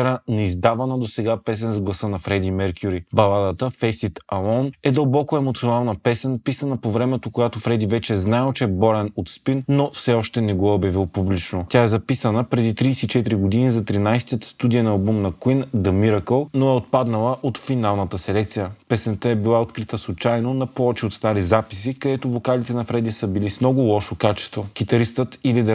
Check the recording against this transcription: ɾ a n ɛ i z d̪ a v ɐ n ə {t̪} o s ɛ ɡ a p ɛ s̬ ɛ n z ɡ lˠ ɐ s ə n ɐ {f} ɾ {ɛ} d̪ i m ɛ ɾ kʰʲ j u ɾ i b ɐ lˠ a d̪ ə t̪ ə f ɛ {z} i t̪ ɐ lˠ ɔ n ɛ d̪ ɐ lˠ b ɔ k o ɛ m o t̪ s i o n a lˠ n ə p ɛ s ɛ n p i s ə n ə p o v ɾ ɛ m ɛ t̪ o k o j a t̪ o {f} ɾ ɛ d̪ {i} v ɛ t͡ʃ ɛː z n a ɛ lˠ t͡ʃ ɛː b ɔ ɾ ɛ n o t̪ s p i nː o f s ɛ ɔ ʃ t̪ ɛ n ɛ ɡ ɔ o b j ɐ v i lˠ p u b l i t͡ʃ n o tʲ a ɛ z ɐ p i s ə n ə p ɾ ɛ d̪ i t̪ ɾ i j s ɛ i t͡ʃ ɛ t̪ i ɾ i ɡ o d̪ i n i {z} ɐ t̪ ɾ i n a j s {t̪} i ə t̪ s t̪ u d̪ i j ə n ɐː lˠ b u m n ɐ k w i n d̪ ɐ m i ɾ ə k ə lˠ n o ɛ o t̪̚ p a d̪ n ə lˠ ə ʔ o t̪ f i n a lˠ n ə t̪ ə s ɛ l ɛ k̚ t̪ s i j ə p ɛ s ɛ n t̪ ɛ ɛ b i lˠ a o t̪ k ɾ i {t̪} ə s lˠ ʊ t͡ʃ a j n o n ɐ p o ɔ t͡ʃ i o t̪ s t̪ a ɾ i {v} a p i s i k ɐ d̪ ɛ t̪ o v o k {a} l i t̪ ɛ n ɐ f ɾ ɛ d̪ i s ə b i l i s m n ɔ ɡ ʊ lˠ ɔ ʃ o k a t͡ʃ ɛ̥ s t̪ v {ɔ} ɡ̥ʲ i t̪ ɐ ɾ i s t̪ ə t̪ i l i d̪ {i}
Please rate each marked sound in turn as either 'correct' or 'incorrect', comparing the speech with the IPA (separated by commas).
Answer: incorrect, correct, correct, incorrect, correct, correct, correct, correct, correct, incorrect, correct, incorrect, incorrect